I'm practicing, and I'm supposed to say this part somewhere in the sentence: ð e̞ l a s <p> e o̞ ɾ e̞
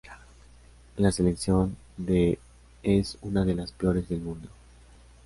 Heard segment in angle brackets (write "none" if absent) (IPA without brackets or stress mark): p